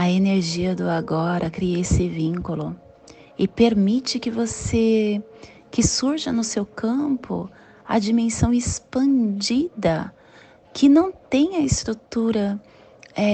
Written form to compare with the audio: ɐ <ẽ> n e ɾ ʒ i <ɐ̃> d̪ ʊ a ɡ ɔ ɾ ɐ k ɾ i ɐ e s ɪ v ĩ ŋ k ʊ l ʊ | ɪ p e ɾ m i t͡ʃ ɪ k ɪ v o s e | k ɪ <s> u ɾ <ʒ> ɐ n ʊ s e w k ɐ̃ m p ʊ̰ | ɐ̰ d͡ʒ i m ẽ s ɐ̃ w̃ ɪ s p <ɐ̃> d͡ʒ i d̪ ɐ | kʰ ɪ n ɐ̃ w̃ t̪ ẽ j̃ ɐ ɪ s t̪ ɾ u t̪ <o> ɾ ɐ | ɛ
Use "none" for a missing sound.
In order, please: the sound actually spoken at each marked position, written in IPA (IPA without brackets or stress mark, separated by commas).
e, ɐ, s, ʒ, ɐ̃, u